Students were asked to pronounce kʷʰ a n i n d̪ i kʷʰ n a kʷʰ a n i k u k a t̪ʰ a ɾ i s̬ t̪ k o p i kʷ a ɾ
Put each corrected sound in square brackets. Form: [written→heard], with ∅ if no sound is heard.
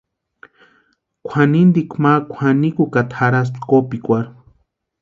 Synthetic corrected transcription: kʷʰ a n i n d̪ i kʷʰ [n→m] a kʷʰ a n i k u k a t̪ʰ a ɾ [i→a] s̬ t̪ k o p i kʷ a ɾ